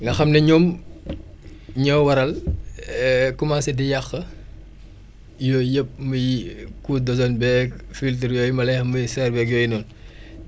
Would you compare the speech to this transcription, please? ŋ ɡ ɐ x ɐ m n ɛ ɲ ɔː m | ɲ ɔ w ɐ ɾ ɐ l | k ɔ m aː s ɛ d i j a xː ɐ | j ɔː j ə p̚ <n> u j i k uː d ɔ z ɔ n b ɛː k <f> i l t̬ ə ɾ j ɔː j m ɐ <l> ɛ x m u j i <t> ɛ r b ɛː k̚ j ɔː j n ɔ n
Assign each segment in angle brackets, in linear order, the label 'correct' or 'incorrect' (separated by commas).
incorrect, correct, correct, incorrect